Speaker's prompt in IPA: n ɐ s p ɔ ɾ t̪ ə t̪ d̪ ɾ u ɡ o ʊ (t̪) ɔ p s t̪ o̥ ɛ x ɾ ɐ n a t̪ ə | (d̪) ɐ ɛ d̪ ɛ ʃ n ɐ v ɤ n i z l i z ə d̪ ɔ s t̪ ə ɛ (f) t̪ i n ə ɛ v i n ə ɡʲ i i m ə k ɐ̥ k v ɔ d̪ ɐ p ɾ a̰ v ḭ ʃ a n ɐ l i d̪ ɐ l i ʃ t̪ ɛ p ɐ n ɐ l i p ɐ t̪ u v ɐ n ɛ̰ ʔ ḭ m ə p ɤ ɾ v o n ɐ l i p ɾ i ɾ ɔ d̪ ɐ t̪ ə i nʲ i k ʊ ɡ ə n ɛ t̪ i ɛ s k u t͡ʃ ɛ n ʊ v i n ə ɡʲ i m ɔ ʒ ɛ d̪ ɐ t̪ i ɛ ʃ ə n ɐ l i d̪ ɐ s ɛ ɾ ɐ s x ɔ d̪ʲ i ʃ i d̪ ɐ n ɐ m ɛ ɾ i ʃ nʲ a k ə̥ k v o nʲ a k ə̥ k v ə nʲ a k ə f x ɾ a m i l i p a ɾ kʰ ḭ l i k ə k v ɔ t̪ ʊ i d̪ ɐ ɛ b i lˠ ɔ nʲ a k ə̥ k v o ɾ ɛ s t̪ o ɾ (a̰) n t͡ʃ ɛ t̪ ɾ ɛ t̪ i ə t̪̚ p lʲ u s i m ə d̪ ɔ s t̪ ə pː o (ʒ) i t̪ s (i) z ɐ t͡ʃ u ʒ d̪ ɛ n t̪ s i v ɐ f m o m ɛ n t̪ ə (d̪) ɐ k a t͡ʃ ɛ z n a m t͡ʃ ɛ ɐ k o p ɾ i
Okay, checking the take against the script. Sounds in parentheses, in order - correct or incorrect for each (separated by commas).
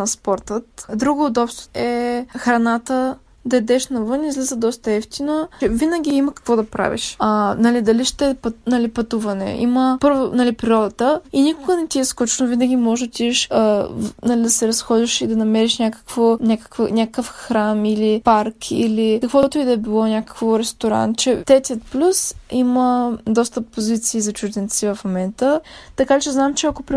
incorrect, correct, correct, correct, incorrect, incorrect, incorrect